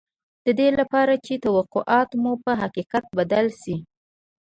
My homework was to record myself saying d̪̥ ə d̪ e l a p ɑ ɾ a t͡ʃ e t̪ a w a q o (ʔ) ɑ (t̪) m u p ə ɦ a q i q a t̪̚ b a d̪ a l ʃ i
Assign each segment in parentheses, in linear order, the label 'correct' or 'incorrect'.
correct, correct

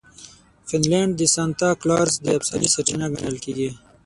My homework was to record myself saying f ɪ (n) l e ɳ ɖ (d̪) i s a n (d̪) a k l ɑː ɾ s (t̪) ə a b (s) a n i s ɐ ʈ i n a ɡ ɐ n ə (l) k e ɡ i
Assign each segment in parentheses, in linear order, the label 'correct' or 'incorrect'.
correct, correct, incorrect: t̪, incorrect: d̪, correct, correct

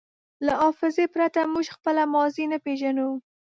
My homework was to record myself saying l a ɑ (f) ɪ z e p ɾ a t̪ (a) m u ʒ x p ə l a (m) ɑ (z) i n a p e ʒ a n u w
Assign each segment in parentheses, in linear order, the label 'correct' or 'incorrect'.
correct, correct, correct, correct

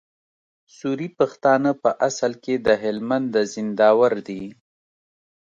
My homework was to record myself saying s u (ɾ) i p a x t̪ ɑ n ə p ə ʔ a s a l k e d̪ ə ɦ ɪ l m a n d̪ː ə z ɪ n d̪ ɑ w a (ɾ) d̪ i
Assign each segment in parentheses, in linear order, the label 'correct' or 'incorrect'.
correct, correct

